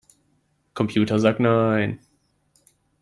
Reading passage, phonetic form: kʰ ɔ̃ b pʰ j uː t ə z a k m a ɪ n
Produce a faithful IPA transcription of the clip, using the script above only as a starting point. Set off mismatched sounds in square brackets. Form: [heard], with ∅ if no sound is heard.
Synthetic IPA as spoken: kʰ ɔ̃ [m] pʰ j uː t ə z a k [n] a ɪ n